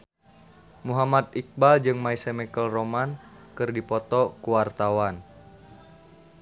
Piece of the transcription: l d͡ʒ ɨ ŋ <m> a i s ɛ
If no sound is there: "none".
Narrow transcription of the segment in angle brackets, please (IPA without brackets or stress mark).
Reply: m